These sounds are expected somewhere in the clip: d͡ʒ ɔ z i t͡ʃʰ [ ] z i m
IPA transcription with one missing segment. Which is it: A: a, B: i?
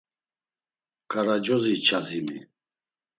A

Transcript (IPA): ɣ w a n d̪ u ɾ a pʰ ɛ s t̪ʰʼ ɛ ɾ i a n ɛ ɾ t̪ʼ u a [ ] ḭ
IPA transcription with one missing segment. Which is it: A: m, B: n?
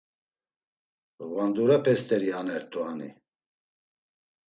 B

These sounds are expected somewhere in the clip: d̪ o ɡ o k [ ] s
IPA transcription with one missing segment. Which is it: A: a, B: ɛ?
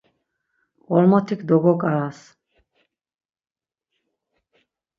A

